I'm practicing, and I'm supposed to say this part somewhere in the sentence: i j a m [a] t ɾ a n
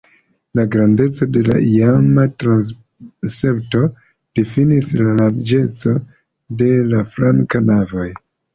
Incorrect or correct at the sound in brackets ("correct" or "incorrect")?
correct